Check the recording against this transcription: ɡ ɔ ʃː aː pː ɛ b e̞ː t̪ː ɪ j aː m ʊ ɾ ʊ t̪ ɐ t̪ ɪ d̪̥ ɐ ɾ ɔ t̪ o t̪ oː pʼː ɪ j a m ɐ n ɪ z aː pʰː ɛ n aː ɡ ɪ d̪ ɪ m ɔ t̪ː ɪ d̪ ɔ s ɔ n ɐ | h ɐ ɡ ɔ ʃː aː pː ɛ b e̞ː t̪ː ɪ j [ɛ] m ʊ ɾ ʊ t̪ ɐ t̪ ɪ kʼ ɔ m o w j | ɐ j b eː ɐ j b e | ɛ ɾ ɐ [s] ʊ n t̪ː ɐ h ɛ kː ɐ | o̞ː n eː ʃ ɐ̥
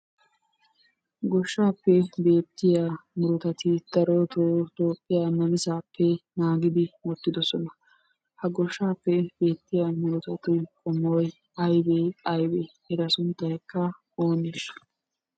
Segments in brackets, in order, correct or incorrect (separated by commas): incorrect, correct